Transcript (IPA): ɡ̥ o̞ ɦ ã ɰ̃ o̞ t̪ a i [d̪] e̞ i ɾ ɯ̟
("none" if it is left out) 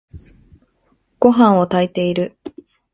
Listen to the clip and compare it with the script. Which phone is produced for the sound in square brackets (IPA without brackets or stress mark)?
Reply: t̪